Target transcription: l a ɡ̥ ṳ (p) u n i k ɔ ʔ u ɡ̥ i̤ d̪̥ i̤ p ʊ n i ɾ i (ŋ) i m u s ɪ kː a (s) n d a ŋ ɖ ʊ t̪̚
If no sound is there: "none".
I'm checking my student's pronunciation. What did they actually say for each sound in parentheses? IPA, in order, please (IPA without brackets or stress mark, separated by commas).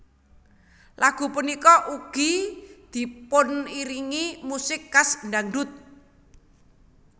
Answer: p, ŋ, s